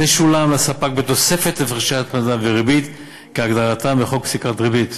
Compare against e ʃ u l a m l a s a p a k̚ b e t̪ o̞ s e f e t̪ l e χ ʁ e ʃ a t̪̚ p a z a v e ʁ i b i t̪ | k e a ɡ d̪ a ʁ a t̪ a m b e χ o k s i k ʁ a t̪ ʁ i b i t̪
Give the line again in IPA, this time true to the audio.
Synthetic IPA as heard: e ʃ u l a m l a s a p a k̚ b e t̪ o̞ s e f e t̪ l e f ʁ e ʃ a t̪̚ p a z a v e ʁ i b i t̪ | k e a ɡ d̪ a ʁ a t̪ a m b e χ o k s i k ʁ a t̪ ʁ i b i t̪